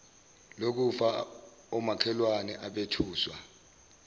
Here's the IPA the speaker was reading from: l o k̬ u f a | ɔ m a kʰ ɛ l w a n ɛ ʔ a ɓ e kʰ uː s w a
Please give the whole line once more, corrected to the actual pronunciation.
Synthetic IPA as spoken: l o k̬ u f a | ɔ m a kʰ ɛ l w a n ɛ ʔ a ɓ e tʰ uː s w a